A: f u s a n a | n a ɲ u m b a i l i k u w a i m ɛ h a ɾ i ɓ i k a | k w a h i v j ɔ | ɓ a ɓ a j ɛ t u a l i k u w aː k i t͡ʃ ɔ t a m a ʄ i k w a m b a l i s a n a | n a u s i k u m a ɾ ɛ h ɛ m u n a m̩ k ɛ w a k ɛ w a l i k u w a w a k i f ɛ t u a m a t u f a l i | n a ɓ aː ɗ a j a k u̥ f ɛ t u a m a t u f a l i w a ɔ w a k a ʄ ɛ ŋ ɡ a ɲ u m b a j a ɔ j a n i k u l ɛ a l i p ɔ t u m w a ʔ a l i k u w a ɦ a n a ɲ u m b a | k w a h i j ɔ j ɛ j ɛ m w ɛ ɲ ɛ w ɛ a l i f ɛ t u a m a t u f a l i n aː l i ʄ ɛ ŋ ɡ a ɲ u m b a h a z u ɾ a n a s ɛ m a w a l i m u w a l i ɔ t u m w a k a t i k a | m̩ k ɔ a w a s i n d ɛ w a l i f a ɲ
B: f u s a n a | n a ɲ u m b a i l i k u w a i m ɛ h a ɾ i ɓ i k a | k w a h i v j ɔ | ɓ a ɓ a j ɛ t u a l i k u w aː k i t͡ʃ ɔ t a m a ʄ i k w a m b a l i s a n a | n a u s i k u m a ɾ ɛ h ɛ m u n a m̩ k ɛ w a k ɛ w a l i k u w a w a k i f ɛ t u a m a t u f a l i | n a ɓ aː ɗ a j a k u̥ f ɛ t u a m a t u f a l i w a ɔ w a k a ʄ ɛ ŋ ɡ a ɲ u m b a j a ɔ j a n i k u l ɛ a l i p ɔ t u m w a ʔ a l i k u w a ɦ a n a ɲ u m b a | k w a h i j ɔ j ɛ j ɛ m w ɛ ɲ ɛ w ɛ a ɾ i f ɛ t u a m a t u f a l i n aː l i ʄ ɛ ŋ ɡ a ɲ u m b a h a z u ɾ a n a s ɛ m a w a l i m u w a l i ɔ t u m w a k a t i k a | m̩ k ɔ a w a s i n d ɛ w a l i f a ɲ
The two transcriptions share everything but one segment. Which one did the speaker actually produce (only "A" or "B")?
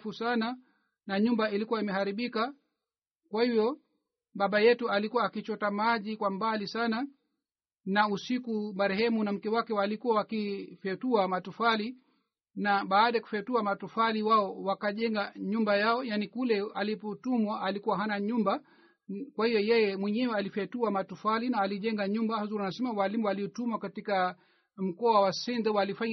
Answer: A